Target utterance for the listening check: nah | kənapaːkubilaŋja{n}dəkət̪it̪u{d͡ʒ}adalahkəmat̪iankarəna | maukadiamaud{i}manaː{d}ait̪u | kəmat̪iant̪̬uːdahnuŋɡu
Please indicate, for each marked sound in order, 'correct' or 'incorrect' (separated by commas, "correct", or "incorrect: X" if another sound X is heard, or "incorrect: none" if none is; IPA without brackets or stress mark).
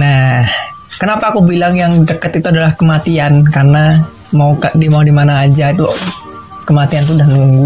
incorrect: ŋ, incorrect: none, correct, incorrect: d͡ʒ